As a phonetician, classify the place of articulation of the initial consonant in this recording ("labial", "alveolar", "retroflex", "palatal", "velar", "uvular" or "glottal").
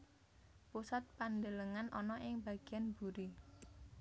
labial